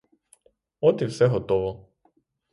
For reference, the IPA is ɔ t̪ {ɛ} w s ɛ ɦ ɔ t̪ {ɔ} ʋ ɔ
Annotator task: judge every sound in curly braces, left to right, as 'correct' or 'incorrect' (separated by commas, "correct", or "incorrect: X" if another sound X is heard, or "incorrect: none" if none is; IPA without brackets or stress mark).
incorrect: i, correct